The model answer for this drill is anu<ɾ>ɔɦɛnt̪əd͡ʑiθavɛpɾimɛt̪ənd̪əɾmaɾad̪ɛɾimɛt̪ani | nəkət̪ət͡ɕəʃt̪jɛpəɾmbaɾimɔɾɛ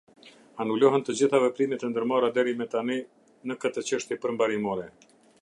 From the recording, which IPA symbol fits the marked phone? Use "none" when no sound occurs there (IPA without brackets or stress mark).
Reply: l